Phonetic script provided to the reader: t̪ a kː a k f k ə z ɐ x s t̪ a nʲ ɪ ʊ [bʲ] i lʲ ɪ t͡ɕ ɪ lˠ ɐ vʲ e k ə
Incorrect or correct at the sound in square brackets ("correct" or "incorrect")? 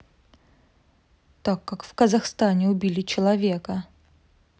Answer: correct